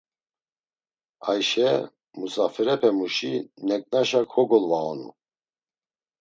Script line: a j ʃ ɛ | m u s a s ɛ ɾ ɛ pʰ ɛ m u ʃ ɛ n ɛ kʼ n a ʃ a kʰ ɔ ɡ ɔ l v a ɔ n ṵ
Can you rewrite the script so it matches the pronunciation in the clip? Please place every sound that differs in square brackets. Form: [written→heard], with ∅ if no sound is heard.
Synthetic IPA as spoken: a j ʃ ɛ | m u s a [s→f] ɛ ɾ ɛ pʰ ɛ m u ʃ [ɛ→i] n ɛ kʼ n a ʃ a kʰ ɔ ɡ ɔ l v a ɔ n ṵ